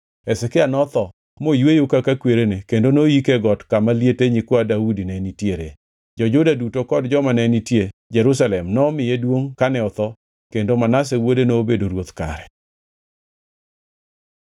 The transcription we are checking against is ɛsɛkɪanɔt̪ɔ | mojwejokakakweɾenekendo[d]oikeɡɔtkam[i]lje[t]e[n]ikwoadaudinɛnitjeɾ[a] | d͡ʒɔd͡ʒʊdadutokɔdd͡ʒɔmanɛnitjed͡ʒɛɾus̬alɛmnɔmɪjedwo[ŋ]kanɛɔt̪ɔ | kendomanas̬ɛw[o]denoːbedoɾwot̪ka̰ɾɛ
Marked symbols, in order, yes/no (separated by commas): no, no, yes, no, no, yes, yes